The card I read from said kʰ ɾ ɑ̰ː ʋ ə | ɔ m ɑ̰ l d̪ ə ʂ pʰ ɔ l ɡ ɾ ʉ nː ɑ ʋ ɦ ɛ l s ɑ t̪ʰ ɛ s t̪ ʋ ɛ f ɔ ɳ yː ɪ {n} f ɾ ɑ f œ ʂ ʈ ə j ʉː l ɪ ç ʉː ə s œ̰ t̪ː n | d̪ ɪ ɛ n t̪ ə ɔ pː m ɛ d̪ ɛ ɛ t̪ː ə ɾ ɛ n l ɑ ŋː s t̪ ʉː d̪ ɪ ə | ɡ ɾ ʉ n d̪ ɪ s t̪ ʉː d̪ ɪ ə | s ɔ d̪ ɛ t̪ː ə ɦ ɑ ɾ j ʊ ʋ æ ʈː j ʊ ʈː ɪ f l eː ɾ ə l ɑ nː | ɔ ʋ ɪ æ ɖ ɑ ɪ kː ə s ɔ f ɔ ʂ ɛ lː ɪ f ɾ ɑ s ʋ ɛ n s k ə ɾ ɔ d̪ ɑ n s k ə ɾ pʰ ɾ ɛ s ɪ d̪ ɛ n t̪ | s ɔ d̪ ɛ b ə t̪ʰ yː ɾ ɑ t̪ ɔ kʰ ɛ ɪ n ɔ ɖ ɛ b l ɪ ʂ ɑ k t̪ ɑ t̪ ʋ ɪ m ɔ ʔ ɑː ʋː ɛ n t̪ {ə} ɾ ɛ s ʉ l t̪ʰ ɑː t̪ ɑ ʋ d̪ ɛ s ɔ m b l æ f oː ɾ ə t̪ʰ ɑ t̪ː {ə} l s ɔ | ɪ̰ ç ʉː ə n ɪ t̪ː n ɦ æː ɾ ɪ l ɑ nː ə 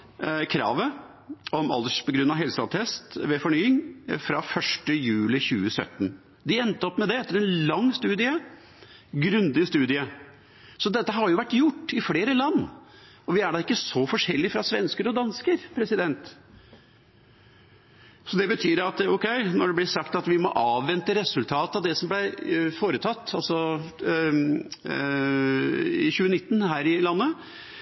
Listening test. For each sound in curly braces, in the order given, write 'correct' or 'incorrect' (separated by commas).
incorrect, correct, incorrect